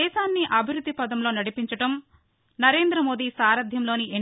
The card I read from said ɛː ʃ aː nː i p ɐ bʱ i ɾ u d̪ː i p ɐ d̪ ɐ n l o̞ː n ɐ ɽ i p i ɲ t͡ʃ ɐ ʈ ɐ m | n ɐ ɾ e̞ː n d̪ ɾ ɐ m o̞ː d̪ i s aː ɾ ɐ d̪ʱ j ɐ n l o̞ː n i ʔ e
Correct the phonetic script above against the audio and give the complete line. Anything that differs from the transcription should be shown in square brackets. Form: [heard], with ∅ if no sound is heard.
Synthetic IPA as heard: ɛː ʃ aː nː i [ʔ] ɐ bʱ i ɾ u d̪ː i p ɐ d̪ ɐ [m] l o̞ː n ɐ ɽ i p i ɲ t͡ʃ ɐ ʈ ɐ m | n ɐ ɾ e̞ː n d̪ ɾ ɐ m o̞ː d̪ i s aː ɾ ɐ d̪ʱ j ɐ [m] l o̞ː n i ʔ e